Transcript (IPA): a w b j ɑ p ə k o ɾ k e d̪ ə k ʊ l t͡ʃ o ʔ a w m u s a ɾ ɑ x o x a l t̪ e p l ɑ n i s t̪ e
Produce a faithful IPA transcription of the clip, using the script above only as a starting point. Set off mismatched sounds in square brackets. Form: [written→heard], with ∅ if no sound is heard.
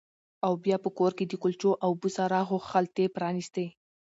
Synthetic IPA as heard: a w b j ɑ p ə k o ɾ k e d̪ ə k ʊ l t͡ʃ o ʔ a w [m→b] u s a ɾ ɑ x o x a l t̪ e p [l→ɾ] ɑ n i s t̪ e